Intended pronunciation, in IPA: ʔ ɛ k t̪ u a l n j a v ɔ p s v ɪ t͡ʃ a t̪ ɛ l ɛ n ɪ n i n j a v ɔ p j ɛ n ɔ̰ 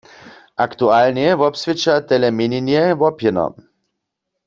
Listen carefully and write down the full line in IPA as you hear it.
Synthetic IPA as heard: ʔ a k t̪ u a l n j ɛ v ɔ p s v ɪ t͡ʃ a t̪ ɛ l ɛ m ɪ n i n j ɛ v ɔ p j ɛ n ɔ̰

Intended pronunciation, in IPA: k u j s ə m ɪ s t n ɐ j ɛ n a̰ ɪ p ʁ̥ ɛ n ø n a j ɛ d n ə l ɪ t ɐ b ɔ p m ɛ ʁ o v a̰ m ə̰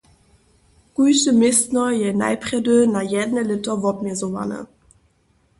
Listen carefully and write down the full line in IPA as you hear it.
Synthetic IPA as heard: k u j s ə m ɪ s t n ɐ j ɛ n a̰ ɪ p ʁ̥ ɛ d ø n a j ɛ d n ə l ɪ t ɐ v ɔ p m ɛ z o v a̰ n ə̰

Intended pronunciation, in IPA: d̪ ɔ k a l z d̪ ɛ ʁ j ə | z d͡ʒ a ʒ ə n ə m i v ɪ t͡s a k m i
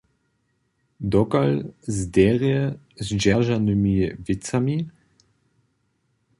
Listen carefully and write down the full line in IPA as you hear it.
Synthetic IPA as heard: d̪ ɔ k a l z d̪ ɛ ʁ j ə | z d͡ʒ a ʒ a n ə m i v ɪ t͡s a m i

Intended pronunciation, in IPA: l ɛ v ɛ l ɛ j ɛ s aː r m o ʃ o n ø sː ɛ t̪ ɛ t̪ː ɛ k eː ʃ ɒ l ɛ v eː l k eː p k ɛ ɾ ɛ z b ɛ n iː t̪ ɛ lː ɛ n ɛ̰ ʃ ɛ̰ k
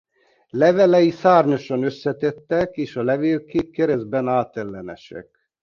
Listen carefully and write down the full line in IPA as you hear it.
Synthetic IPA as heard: l ɛ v ɛ l ɛ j i s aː r ɲ o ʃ ɒ n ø sː ɛ t̪ ɛ t̪ː ɛ k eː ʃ ɒ l ɛ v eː l k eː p k ɛ ɾ ɛ z b ɛ n aː t̪ ɛ lː ɛ n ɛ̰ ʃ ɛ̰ k

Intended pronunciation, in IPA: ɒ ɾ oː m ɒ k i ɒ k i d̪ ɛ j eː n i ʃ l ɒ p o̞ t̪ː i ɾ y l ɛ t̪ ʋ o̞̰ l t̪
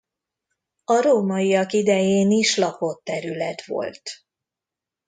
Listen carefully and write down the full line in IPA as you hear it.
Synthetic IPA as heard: ɒ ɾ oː m ɒ i ɒ k i d̪ ɛ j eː n i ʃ l ɒ p o̞ t̪ː ɛ ɾ y l ɛ t̪ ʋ o̞̰ l t̪

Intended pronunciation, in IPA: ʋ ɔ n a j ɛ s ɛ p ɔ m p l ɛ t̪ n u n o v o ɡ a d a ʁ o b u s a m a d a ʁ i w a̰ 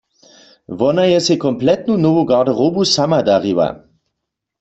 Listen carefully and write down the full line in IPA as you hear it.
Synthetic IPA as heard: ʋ ɔ n a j ɛ s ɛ k ɔ m p l ɛ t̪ n u n o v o ɡ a d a ʁ o b u s a m a d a ʁ i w a̰

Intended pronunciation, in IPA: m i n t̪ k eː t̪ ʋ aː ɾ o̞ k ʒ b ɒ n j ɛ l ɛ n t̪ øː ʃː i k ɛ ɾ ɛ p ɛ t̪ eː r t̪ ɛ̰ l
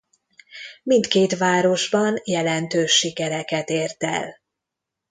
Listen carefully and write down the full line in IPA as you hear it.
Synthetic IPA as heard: m i n t̪ k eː t̪ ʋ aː ɾ o̞ ʒ b ɒ n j ɛ l ɛ n t̪ øː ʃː i k ɛ ɾ ɛ k ɛ t̪ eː r t̪ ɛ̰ l

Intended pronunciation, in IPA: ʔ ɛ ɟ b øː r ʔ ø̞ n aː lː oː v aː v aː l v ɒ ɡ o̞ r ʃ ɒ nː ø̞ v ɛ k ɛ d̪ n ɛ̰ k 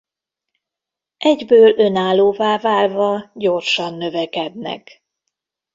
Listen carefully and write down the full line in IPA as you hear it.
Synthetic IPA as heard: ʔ ɛ ɟ b øː l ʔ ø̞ n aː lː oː v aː v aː l v ɒ ɟ o̞ r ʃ ɒ nː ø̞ v ɛ k ɛ d̪ n ɛ̰ k

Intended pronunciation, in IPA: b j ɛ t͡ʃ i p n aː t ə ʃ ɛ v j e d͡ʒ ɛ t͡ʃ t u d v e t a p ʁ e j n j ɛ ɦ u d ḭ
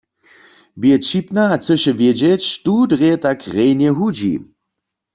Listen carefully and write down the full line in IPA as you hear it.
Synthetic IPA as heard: b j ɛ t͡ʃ i p n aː t͡s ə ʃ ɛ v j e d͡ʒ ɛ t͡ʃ t u d ʁ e t a k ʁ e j n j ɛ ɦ u d͡ʒ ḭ

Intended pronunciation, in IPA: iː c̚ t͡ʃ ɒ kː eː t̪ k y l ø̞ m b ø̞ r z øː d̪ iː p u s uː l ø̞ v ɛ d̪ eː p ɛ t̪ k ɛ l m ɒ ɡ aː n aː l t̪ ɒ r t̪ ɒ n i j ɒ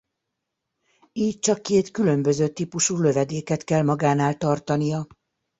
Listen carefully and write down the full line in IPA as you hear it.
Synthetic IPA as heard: iː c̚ t͡ʃ ɒ kː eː t̪ k y l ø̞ m b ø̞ z øː t̪ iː p u ʃ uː l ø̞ v ɛ d̪ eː k ɛ t̪ k ɛ l m ɒ ɡ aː n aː l t̪ ɒ r t̪ ɒ n i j ɒ

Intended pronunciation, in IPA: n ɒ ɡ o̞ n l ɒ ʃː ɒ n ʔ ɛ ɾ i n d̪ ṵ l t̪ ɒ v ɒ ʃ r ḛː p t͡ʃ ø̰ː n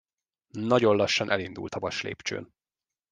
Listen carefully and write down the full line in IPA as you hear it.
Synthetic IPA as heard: n ɒ ɟ o̞ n l ɒ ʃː ɒ n ʔ ɛ l i n d̪ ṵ l t̪ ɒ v ɒ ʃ l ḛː p t͡ʃ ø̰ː n

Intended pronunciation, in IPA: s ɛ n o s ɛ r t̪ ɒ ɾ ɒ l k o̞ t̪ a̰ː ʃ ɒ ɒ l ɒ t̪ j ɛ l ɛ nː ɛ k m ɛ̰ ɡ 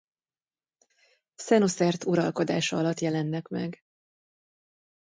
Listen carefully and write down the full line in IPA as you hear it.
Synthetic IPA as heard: s ɛ n o s ɛ r t̪ u ɾ ɒ l k o̞ d̪ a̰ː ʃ ɒ ɒ l ɒ t̪ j ɛ l ɛ nː ɛ k m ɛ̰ ɡ

